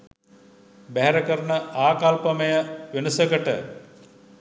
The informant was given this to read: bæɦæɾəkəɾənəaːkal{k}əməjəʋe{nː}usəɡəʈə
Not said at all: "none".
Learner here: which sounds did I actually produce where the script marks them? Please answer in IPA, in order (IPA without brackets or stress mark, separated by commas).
p, n